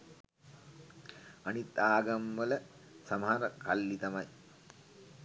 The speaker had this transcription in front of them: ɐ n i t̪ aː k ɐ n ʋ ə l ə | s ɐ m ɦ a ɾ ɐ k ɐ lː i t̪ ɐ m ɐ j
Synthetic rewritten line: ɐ n i t̪ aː ɡ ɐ m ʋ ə l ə | s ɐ m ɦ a ɾ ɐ k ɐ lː i t̪ ɐ m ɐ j

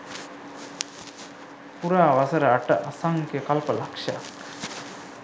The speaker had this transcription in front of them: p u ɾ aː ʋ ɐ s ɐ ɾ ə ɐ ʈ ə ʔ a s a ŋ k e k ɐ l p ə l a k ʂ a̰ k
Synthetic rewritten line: p u ɾ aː ʋ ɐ s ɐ ɾ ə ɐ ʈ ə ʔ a s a ŋ k e k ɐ l p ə l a k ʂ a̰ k

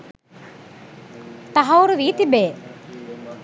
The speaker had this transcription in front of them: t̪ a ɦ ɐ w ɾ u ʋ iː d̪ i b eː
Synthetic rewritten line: t̪ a ɦ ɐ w ɾ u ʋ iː t̪ i b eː

